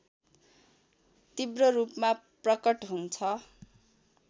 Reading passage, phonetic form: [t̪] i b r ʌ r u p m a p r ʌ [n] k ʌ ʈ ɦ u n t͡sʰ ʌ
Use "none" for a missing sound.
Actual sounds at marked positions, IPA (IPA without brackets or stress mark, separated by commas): t̪, none